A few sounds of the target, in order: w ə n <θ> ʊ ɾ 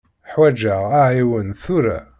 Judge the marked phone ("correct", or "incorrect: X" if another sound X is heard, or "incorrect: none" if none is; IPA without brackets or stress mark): correct